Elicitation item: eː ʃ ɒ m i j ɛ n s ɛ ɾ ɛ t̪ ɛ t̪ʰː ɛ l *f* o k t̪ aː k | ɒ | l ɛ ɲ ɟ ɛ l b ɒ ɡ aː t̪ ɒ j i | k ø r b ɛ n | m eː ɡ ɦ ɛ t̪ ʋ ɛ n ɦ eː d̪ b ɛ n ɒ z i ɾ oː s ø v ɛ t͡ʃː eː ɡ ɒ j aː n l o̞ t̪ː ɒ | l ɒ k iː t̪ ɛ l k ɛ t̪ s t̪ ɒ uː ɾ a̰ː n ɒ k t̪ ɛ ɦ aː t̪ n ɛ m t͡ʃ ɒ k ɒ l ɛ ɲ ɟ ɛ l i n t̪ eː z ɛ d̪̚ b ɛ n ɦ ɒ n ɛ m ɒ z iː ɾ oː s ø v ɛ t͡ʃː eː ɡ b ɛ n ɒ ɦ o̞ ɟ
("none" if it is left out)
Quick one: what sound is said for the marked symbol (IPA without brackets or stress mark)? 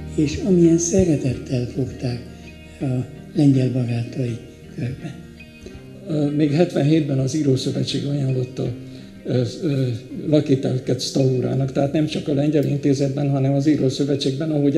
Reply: f